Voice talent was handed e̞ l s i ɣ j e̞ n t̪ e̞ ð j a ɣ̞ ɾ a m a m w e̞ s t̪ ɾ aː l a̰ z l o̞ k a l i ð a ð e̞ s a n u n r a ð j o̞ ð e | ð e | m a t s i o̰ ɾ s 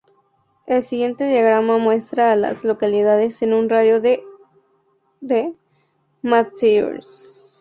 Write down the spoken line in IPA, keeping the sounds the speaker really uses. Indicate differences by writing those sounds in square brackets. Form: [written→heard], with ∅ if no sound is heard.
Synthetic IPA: e̞ l s i ɣ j e̞ n t̪ e̞ ð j a ɣ̞ ɾ a m a m w e̞ s t̪ ɾ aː l a̰ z l o̞ k a l i ð a ð e̞ s [a→e] n u n r a ð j o̞ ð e | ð e | m a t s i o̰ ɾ s